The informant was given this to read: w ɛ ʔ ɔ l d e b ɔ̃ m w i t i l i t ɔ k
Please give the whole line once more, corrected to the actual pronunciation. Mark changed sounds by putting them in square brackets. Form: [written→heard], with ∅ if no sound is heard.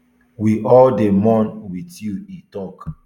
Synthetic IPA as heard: w [ɛ→i] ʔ ɔ l d e [b→m] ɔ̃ [m→n] w i t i l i t ɔ k